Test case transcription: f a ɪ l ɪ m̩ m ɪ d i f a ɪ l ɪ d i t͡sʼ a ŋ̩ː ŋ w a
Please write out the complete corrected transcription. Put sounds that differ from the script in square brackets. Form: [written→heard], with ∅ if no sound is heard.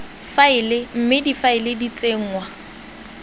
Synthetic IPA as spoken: f a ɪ l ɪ m̩ m ɪ d i f a ɪ l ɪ d i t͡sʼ [a→e] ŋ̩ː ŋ w a